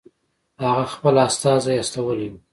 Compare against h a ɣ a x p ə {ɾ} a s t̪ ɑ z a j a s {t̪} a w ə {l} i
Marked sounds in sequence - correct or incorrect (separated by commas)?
incorrect, correct, correct